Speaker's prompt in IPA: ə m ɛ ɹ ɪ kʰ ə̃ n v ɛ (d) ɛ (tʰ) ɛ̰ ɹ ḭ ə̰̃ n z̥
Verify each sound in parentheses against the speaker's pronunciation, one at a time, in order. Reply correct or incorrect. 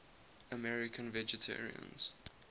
incorrect: d͡ʒ, correct

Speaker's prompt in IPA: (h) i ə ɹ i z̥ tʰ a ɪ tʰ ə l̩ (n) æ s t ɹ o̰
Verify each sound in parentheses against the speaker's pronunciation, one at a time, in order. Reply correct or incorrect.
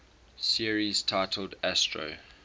incorrect: s, incorrect: d

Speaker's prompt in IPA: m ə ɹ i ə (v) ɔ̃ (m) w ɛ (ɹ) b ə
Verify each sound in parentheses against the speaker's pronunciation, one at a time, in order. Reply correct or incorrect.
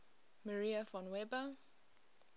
incorrect: f, incorrect: n, incorrect: none

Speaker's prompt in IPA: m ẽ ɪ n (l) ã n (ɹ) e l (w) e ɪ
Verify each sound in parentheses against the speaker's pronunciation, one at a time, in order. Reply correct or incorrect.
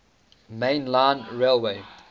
correct, correct, correct

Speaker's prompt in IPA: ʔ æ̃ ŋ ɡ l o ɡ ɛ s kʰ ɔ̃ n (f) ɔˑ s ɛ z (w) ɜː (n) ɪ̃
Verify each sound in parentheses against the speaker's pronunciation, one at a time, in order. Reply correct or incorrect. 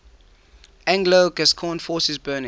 correct, incorrect: b, correct

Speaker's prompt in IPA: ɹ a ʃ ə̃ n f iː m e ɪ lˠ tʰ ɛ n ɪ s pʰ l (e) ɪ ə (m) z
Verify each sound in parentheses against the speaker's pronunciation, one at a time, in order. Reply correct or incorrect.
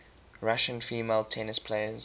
correct, incorrect: none

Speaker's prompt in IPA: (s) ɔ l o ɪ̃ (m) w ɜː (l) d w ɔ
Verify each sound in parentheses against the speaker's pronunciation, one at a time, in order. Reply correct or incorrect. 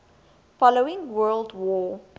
incorrect: f, incorrect: ŋ, correct

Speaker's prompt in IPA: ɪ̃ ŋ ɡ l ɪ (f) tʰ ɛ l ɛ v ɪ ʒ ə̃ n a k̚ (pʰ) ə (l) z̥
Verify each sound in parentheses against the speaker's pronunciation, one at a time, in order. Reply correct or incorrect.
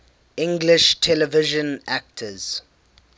incorrect: ʃ, incorrect: tʰ, incorrect: none

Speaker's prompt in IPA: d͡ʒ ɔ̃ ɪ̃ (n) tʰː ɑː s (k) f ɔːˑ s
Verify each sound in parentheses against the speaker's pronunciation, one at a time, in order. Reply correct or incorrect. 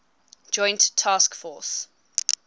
correct, correct

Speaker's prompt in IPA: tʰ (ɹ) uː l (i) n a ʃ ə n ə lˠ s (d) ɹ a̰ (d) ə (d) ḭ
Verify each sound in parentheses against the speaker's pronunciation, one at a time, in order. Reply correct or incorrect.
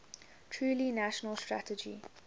correct, correct, incorrect: t, incorrect: t, incorrect: d͡ʒ

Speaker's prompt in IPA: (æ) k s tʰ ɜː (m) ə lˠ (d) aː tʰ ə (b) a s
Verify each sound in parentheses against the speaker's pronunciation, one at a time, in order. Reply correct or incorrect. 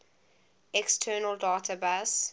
incorrect: ɛ, incorrect: n, correct, correct

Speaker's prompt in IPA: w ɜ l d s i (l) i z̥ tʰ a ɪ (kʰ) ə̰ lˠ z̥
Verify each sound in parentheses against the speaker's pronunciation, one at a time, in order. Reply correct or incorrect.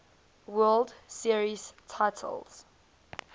incorrect: ɹ, incorrect: tʰ

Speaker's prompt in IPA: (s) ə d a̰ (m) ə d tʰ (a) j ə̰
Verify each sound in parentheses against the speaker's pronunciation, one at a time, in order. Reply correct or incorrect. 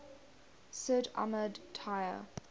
correct, correct, correct

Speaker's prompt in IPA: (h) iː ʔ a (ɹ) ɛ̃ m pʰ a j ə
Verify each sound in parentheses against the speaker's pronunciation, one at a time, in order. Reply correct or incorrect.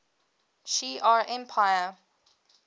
incorrect: ʃ, correct

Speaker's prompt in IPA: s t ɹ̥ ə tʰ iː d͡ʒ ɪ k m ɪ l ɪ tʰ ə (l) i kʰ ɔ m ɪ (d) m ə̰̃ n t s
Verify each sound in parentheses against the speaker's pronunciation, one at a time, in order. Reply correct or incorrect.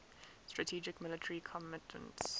incorrect: ɹ, incorrect: t

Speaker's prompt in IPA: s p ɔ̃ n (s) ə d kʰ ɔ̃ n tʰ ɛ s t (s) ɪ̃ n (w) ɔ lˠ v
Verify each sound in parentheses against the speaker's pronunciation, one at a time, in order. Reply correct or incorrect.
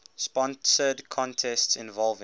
correct, correct, incorrect: v

